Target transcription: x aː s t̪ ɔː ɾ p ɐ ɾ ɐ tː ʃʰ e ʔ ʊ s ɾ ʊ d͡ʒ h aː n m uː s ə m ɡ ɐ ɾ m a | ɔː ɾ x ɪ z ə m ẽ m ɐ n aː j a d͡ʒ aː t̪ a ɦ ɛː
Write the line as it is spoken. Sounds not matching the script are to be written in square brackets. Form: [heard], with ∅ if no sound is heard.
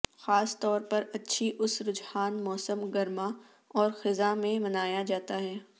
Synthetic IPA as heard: x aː s t̪ ɔː ɾ p ɐ ɾ ɐ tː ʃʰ [i] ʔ ʊ s ɾ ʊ d͡ʒ h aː n m [ɔː] s ə m ɡ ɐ ɾ m a | ɔː ɾ x ɪ z [a] m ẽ m ɐ n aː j a d͡ʒ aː t̪ a ɦ ɛː